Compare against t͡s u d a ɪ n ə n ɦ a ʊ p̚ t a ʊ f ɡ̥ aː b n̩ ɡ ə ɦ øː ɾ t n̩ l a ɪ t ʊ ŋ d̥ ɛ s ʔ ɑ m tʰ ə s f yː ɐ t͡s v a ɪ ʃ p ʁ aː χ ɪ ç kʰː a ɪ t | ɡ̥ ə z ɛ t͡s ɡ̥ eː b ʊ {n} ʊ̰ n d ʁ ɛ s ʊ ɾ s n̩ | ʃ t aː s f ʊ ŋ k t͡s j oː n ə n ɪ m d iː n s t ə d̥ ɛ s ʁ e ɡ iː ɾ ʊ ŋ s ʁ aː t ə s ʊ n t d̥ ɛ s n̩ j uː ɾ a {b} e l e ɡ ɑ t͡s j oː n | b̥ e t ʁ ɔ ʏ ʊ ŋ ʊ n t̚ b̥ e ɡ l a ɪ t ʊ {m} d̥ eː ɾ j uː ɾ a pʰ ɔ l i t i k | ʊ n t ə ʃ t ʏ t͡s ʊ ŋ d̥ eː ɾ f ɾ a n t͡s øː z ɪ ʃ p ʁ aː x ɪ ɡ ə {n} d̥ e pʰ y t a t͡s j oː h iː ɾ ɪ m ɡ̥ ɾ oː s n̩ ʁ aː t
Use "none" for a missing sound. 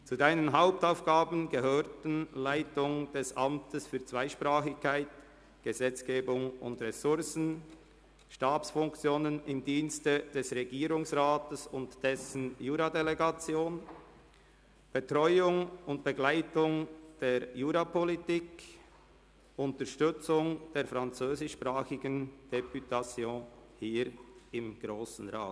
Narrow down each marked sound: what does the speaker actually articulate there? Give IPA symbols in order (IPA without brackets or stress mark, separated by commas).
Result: ŋ, d, ŋ, n